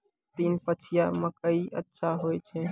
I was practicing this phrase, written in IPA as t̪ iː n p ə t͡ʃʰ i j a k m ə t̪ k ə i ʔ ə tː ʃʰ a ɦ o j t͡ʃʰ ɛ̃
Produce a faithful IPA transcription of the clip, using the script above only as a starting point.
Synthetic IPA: t̪ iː n p ə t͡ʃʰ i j a m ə k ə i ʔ ə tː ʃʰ a ɦ o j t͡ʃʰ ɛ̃